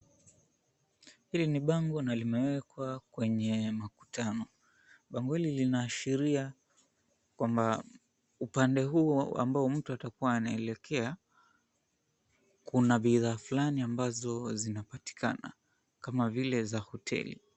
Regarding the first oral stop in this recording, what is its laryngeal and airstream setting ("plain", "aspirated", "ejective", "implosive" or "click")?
implosive